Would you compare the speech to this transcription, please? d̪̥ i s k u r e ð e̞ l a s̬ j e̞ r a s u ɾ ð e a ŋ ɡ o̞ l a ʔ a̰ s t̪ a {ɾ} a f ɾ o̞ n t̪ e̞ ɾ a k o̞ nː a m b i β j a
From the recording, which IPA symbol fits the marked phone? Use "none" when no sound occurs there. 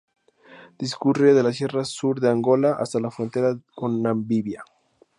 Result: l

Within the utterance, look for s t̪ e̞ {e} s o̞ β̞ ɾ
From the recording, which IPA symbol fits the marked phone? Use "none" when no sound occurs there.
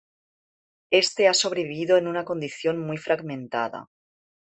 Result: a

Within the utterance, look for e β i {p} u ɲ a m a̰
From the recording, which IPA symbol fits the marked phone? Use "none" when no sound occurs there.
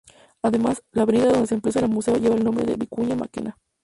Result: k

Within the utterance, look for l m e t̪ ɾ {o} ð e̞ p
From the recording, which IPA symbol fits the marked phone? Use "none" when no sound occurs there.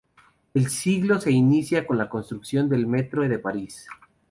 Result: o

